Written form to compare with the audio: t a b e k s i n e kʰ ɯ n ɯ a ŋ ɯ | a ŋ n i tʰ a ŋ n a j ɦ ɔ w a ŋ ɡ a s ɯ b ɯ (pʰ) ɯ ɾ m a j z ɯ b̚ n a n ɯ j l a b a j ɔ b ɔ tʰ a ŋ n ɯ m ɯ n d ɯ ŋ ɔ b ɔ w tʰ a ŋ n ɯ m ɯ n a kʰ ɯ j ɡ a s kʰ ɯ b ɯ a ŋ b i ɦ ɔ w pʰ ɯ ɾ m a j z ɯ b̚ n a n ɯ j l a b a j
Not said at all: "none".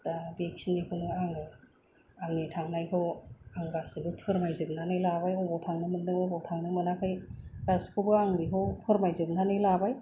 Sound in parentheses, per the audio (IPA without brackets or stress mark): pʰ